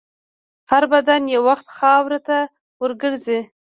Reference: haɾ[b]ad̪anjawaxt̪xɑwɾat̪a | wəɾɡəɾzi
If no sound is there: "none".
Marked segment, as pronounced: b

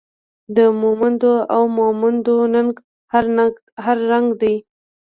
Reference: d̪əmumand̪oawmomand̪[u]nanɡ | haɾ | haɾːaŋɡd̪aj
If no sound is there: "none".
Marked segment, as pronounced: o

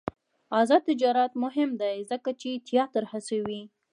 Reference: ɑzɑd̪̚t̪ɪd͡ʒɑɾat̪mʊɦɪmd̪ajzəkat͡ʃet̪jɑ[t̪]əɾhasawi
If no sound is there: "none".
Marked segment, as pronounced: t̪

